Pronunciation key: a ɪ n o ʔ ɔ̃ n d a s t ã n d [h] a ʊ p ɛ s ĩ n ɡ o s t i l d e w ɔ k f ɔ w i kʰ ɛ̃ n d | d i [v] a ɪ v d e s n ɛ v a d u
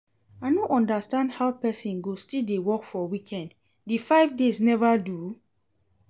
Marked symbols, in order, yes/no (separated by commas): yes, no